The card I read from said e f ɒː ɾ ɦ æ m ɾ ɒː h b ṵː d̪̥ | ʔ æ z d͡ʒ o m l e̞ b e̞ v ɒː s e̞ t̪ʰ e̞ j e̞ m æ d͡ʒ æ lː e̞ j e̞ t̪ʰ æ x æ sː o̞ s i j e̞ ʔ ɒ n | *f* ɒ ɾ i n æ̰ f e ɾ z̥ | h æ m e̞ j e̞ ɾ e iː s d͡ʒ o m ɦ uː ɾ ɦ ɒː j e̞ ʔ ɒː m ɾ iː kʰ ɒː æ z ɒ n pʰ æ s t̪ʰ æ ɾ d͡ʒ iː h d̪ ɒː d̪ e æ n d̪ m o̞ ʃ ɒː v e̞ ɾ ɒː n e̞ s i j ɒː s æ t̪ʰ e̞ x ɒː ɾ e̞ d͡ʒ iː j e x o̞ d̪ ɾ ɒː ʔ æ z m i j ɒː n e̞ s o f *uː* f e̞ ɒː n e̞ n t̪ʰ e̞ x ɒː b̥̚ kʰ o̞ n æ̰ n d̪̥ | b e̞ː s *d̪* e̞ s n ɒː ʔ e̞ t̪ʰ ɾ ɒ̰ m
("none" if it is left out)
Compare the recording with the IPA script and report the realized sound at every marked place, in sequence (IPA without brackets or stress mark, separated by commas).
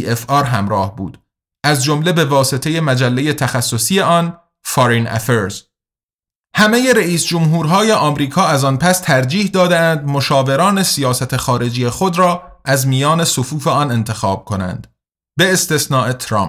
f, uː, t̪